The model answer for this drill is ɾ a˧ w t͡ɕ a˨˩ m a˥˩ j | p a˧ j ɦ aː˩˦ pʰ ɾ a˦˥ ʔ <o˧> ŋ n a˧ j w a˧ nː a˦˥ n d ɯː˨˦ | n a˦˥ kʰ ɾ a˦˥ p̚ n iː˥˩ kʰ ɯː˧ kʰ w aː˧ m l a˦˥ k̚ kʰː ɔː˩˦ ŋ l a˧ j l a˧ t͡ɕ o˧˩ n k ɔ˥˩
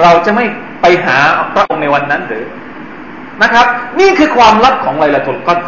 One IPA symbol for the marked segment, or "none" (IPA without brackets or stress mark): o˧